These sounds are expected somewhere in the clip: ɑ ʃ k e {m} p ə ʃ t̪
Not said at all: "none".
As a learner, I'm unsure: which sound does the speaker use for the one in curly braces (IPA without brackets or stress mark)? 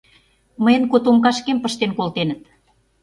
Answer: m